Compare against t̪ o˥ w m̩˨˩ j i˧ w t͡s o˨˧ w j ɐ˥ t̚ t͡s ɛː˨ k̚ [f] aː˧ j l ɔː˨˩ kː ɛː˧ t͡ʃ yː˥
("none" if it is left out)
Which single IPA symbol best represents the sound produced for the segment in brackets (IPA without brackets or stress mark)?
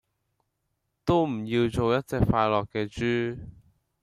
f